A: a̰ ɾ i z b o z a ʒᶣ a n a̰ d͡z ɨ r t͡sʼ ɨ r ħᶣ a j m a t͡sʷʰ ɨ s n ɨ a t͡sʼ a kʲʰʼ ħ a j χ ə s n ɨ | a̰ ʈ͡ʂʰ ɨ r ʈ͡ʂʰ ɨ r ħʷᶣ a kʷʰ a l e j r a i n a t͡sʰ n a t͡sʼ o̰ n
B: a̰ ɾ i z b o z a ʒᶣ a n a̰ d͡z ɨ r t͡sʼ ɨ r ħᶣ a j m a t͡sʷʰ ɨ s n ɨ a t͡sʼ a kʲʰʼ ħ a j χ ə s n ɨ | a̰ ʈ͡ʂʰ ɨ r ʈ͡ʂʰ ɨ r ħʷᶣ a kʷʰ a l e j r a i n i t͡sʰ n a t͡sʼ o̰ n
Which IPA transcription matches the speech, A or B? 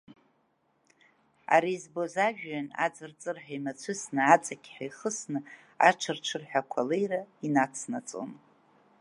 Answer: A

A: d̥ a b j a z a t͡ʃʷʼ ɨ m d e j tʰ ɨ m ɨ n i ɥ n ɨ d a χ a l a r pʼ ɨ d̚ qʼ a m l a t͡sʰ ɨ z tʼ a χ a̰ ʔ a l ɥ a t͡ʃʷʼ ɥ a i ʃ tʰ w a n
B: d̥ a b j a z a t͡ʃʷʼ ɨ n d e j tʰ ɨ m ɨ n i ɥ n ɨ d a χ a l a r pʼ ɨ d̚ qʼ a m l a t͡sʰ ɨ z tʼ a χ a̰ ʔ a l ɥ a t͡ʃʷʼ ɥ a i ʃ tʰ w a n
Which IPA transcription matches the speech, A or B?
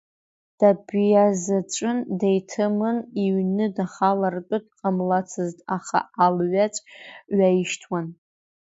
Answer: B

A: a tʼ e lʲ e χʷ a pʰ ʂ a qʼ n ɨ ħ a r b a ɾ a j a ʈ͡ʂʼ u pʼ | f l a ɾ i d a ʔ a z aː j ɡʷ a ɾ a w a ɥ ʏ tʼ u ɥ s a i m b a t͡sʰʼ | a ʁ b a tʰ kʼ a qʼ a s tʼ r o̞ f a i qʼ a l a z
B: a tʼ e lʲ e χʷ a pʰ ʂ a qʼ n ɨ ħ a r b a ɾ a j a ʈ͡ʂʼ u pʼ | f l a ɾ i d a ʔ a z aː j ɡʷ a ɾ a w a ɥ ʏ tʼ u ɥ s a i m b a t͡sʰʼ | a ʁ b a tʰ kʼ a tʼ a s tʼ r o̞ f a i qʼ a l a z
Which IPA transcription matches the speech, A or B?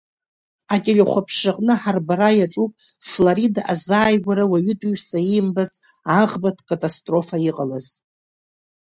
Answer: B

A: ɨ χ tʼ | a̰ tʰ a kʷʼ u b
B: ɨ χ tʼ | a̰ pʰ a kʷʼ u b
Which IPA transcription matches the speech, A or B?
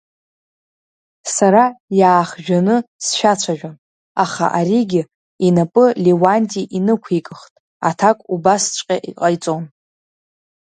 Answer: A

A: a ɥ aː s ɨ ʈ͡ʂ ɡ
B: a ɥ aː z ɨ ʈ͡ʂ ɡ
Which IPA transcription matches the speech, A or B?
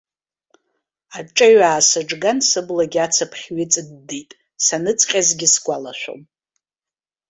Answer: A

